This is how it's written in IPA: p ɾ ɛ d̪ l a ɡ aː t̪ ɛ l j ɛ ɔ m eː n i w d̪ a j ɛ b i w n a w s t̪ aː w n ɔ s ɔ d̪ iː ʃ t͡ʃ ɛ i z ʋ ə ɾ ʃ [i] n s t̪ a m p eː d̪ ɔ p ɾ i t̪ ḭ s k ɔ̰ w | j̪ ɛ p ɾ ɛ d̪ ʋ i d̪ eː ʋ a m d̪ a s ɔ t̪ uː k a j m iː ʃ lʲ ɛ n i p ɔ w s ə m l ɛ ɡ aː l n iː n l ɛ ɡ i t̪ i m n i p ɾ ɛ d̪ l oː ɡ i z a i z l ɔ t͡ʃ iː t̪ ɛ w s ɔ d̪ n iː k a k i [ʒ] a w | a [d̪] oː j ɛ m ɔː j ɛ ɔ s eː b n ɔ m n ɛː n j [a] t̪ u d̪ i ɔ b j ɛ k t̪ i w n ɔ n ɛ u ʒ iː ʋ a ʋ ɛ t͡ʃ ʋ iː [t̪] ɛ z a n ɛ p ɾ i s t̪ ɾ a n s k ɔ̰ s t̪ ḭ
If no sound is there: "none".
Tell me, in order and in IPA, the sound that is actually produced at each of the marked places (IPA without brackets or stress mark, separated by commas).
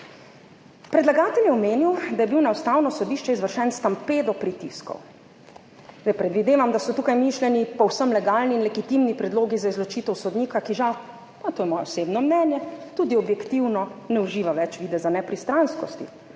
ɛ, ʒ, t̪, ɛ, d̪